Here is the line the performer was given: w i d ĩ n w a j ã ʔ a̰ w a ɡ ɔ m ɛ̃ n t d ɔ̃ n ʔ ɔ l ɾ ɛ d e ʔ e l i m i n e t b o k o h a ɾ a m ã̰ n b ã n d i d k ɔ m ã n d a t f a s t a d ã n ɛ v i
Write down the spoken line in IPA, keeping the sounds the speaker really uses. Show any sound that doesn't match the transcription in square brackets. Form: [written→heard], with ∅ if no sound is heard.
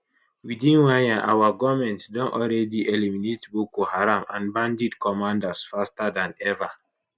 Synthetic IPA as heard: w i d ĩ n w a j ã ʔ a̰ w a ɡ ɔ m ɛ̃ n t d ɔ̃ n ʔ ɔ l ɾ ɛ d [e→i] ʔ e l i m i n e t b o k o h a ɾ a m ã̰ n b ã n d i d k ɔ m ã n d a [t→s] f a s t a d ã n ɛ v [i→a]